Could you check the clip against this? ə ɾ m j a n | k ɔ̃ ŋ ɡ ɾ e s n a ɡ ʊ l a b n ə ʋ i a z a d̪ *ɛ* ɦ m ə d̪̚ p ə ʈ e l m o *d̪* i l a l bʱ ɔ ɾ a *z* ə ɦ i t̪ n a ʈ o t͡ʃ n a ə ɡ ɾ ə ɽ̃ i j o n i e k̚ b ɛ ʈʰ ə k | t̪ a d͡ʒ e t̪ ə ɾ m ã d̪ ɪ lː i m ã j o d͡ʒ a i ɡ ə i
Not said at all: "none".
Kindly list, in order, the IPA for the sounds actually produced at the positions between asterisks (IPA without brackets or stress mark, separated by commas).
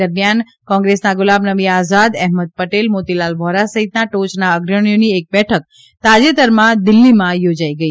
ɛ, t̪, s